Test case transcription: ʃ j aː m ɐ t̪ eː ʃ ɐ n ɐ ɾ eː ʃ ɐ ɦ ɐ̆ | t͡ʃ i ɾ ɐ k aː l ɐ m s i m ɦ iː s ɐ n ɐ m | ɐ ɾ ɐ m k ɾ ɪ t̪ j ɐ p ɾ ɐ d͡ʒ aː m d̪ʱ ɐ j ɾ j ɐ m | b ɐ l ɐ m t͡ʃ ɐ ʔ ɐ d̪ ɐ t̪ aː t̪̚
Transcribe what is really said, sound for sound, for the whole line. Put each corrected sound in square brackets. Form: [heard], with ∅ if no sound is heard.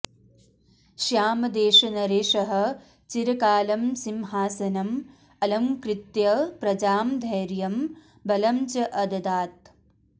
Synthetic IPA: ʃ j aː m ɐ [d̪] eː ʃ ɐ n ɐ ɾ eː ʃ ɐ ɦ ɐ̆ | t͡ʃ i ɾ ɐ k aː l ɐ m s i m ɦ [aː] s ɐ n ɐ m | ɐ [l] ɐ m k ɾ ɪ t̪ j ɐ p ɾ ɐ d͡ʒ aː m d̪ʱ ɐ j ɾ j ɐ m | b ɐ l ɐ m t͡ʃ ɐ ʔ ɐ d̪ ɐ [d̪] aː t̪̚